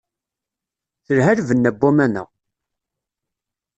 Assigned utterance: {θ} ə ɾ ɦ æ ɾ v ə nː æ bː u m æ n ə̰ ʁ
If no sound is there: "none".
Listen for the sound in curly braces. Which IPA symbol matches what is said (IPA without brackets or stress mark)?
θ